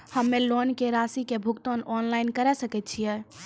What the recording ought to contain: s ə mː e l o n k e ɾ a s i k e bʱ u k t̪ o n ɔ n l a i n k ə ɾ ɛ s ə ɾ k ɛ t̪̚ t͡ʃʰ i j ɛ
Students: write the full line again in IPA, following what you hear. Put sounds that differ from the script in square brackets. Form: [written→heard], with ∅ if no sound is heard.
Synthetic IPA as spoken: [s→h] ə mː e l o n k e ɾ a s i k e bʱ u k t̪ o n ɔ n l a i n k ə ɾ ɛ s ə [ɾ→∅] k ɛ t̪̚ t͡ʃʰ i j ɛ